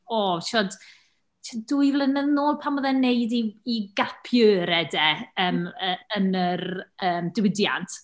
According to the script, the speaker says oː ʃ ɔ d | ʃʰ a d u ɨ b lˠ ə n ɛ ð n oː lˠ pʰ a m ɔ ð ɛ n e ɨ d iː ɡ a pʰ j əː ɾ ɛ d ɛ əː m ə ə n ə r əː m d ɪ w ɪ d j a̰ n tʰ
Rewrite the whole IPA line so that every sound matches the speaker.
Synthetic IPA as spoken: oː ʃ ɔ d | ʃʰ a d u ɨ v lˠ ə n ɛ ð n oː lˠ pʰ a m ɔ ð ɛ n e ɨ d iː ɡ a pʰ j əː ɾ ɛ d ɛ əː m ə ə n ə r əː m d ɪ w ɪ d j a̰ n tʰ